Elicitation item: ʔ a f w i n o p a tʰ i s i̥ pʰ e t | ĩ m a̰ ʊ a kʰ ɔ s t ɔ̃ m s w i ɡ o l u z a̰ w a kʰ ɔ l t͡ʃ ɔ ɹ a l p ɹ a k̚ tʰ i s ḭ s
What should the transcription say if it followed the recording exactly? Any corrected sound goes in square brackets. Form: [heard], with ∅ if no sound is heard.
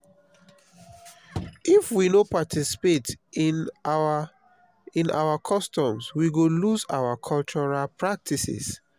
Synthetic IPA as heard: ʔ [i] f w i n o p a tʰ i s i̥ [p] e t | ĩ [n] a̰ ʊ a kʰ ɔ s t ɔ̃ m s w i ɡ o l u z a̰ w a kʰ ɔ l t͡ʃ ɔ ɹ a l p ɹ a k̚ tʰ i s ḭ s